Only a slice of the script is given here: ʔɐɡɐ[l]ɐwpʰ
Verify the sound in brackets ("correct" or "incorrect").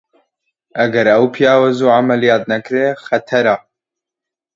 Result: incorrect